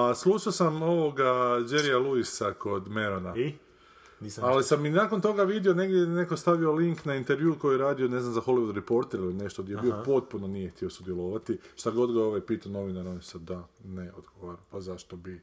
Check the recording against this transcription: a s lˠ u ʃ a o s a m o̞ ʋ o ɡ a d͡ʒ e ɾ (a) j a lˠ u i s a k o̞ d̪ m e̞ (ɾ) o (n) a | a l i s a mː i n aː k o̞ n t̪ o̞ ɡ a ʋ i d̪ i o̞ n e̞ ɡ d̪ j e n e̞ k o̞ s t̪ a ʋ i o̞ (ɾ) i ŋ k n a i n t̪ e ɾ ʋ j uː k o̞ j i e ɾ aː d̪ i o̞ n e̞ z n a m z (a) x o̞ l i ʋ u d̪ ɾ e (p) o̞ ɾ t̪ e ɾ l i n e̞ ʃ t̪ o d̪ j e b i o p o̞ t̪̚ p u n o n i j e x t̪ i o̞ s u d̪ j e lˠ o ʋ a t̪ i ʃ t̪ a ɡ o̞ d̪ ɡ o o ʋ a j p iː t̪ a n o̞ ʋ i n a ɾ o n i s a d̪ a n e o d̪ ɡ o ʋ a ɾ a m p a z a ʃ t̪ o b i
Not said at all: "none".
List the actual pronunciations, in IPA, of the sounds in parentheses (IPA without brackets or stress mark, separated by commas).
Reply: i, ɾ, n, l, a, p